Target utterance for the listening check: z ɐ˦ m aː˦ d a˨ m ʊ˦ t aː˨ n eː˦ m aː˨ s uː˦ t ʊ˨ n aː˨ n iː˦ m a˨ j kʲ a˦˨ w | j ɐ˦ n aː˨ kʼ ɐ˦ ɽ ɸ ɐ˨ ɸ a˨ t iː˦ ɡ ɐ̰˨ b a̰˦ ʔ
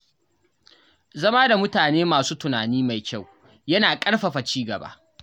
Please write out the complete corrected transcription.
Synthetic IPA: z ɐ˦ m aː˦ d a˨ m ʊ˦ t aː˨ n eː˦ m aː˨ s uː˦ t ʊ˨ n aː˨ n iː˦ m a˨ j kʲ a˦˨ w | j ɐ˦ n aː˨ kʼ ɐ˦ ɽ ɸ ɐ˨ ɸ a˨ t͡ʃ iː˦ ɡ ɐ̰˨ b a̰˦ ʔ

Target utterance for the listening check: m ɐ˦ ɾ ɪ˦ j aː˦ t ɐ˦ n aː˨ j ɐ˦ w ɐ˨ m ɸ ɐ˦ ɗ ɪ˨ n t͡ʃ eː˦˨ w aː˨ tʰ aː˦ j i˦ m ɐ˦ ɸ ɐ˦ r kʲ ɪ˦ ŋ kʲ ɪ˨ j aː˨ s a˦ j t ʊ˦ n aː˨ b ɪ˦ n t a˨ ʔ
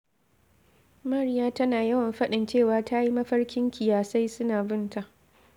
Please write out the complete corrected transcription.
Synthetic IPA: m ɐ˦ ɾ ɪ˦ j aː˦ t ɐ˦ n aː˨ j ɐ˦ w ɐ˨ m ɸ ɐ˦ ɗ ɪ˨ n t͡ʃ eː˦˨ w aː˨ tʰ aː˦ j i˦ m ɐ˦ ɸ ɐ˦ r kʲ ɪ˦ ŋ kʲ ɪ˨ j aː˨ s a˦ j s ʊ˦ n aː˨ b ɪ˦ n t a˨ ʔ

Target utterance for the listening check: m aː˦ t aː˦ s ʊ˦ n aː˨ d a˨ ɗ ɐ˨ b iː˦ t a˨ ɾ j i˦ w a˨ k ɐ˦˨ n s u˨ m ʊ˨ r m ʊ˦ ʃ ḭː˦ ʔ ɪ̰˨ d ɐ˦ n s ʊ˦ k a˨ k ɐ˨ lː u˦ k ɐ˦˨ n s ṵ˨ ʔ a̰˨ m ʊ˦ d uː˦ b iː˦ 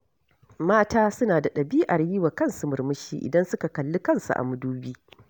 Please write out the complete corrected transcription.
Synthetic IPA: m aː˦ t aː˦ s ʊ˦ n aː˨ d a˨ ɗ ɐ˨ b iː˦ ʔ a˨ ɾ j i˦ w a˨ k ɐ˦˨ n s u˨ m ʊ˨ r m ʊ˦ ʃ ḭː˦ ʔ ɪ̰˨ d ɐ˦ n s ʊ˦ k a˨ k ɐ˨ lː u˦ k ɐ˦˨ n s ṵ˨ ʔ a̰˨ m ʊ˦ d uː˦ b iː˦

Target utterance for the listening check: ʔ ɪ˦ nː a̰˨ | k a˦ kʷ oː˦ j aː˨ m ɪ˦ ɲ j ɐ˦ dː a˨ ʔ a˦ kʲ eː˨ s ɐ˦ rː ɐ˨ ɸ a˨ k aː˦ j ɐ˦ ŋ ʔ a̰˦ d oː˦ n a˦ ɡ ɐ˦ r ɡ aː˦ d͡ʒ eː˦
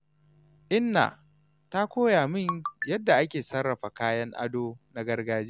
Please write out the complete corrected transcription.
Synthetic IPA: ʔ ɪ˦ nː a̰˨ | t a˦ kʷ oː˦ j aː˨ m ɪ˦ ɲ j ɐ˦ dː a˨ ʔ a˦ kʲ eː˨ s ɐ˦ rː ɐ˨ ɸ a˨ k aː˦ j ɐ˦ ŋ ʔ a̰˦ d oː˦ n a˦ ɡ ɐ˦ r ɡ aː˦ d͡ʒ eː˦

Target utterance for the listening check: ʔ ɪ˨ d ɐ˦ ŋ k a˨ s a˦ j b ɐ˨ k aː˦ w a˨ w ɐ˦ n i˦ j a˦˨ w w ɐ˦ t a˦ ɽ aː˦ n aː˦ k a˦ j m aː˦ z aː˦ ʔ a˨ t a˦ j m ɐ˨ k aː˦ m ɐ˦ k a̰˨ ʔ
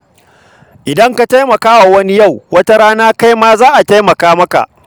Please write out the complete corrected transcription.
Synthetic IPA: ʔ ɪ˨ d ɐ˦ ŋ k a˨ t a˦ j m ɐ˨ k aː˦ w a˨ w ɐ˦ n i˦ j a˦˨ w w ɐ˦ t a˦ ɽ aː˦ n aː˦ k a˦ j m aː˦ z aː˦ ʔ a˨ t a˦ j m ɐ˨ k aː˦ m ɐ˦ k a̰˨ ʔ

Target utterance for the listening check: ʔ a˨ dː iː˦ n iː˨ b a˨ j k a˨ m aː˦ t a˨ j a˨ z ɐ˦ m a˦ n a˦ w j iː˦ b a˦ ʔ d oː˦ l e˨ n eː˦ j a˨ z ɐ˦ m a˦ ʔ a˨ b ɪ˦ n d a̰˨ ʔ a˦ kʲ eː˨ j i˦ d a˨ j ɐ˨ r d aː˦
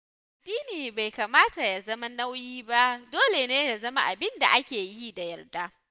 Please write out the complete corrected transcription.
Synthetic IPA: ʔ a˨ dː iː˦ n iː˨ b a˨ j k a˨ m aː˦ t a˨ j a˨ z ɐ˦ m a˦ n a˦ w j iː˦ b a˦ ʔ d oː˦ l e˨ n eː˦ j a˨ z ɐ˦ m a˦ ʔ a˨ b ɪ˦ n d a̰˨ ʔ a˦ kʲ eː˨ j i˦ d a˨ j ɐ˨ r d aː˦

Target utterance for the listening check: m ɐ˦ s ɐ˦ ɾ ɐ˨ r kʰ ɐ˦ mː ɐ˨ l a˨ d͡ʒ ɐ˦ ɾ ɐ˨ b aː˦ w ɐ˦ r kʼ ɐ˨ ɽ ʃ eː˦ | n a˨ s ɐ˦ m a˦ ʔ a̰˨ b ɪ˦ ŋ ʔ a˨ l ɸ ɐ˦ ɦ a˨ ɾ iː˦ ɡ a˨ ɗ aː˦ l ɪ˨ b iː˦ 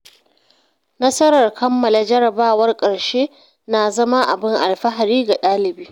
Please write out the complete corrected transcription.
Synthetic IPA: n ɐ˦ s ɐ˦ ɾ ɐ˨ r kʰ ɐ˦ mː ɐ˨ l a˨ d͡ʒ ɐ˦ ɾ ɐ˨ b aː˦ w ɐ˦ r kʼ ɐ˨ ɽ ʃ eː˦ | n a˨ z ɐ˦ m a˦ ʔ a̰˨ b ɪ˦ ŋ ʔ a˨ l ɸ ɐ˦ ɦ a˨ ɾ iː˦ ɡ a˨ ɗ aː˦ l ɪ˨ b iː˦

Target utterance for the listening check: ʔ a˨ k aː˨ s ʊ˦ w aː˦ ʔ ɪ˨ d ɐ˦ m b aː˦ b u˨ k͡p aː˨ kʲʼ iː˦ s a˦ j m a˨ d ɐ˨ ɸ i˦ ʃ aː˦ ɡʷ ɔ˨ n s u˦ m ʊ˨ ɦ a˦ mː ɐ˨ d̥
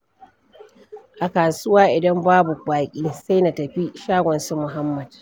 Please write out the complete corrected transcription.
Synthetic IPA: ʔ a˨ k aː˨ s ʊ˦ w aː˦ ʔ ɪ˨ d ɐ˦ m b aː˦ b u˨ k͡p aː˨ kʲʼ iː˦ s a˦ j n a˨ t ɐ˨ ɸ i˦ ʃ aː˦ ɡʷ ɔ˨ n s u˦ m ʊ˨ ɦ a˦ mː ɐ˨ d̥

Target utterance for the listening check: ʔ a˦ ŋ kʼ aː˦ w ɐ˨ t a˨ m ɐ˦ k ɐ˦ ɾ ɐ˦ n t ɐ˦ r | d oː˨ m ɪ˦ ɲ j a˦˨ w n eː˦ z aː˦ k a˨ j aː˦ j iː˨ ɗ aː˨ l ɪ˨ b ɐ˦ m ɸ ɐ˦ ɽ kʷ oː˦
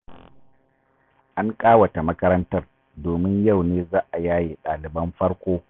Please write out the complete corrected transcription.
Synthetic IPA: ʔ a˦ ŋ kʼ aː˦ w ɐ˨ t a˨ m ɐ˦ k ɐ˦ ɾ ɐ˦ n t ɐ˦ r | d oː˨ m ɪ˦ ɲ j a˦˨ w n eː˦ z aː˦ ʔ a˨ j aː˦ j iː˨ ɗ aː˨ l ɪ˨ b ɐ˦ m ɸ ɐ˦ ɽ kʷ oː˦

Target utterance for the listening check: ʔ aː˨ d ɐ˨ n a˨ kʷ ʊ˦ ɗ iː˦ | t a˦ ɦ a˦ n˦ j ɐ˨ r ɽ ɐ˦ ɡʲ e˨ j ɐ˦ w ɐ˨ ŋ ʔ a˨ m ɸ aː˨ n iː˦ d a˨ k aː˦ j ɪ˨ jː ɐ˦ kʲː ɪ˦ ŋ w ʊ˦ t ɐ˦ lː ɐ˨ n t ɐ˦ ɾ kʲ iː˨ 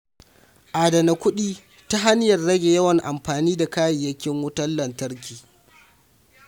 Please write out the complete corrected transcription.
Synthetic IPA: ʔ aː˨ d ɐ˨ n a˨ kʷ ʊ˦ ɗ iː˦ | t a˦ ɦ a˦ n˦ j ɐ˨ r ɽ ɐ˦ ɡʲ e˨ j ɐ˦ w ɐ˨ ŋ ʔ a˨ m ɸ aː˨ n iː˦ d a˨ k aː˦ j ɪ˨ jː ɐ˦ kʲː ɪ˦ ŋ w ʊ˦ t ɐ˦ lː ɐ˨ n t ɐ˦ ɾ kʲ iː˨

